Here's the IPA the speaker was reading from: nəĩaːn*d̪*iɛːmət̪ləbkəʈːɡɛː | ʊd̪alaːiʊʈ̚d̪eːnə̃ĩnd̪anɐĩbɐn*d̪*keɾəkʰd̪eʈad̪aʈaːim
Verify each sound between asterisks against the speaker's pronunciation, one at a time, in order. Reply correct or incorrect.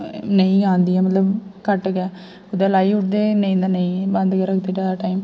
correct, correct

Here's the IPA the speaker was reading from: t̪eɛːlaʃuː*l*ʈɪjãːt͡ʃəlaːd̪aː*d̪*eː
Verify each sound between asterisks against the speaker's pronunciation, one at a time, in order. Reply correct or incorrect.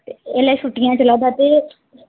incorrect, incorrect

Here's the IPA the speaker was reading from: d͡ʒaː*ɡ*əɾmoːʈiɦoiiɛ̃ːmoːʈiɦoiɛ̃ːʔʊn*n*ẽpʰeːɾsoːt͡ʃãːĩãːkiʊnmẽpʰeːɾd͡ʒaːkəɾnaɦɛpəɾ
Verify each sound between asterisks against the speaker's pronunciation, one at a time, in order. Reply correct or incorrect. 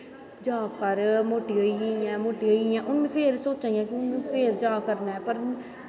incorrect, incorrect

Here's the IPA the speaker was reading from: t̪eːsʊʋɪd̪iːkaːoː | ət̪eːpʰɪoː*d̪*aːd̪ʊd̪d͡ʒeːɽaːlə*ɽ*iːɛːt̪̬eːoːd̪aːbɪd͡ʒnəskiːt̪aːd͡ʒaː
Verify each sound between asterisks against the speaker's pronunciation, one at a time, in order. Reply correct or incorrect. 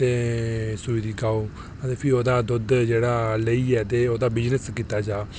correct, incorrect

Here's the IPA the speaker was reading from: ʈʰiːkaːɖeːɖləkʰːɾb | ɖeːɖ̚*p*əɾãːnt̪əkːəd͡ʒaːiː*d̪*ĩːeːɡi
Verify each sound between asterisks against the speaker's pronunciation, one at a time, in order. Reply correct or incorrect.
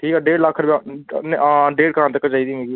incorrect, correct

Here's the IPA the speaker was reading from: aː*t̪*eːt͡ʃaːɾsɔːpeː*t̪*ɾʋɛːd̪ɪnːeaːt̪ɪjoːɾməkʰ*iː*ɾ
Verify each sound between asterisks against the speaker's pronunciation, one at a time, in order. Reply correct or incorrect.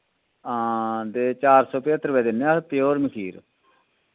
incorrect, correct, correct

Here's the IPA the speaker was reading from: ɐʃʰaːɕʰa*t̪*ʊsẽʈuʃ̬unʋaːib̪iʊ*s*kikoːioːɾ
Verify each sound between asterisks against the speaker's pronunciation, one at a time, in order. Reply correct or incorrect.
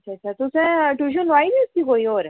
correct, correct

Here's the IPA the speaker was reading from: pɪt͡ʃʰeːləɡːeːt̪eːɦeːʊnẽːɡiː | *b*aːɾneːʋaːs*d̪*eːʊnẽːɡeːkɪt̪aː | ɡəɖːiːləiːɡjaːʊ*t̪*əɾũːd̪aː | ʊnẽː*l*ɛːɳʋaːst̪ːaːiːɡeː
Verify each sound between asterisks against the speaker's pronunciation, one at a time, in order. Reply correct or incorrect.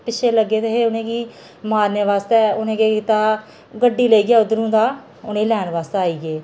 incorrect, incorrect, incorrect, correct

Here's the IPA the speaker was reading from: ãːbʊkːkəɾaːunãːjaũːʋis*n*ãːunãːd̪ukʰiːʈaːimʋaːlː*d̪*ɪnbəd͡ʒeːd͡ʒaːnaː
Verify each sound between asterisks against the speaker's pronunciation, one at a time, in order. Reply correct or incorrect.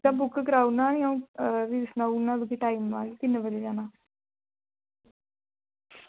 correct, incorrect

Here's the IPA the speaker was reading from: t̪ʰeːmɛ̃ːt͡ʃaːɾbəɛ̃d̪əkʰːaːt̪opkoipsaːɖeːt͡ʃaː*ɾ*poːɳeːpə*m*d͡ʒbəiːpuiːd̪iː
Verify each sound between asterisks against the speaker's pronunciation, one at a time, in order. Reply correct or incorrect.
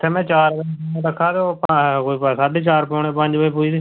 correct, incorrect

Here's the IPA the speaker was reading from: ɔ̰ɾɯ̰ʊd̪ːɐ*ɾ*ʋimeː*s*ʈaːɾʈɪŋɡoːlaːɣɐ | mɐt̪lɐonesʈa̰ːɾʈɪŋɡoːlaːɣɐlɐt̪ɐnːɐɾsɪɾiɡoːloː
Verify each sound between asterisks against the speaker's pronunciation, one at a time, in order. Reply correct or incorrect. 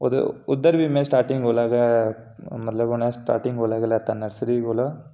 correct, correct

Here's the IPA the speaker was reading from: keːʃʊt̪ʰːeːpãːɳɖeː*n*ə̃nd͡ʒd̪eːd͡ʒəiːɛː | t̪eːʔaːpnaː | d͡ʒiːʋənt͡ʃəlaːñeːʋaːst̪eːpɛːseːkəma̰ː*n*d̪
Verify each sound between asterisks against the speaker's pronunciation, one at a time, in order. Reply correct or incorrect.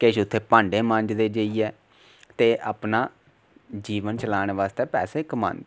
incorrect, correct

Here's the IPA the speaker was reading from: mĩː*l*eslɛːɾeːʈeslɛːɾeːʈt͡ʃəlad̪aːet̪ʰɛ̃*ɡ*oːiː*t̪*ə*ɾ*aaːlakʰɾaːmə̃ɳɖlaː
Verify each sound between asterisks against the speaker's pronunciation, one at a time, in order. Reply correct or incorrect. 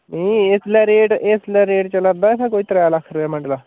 incorrect, incorrect, correct, correct

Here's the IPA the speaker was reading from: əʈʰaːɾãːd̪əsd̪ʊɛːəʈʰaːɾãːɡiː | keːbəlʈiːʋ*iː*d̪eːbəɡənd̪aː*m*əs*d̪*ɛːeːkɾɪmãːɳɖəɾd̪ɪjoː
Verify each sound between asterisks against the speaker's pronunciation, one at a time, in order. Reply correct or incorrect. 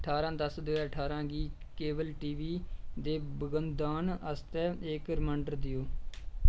correct, incorrect, incorrect

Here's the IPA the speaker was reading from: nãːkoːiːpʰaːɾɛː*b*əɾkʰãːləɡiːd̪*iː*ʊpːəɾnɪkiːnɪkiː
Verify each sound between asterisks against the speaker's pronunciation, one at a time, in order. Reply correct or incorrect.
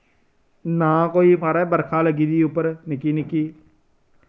correct, correct

